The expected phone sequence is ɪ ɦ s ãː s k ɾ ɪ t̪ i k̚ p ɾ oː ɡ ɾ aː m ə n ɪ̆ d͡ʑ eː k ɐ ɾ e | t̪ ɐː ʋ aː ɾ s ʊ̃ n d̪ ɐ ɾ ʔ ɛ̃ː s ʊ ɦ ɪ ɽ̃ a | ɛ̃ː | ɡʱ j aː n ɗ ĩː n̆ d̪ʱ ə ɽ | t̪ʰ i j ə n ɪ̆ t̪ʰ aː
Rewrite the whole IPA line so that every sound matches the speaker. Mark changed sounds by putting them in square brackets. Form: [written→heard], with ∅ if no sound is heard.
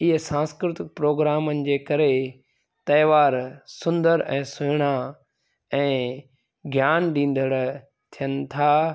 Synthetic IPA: ɪ ɦ s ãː s k ɾ ɪ t̪ [i→ɪ] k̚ p ɾ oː ɡ ɾ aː m ə n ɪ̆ d͡ʑ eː k ɐ ɾ e | t̪ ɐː ʋ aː ɾ s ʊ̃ n d̪ [ɐ→ə] ɾ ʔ ɛ̃ː s ʊ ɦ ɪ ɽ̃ a | ɛ̃ː | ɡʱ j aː n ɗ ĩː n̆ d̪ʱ ə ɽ | t̪ʰ i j ə n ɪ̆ t̪ʰ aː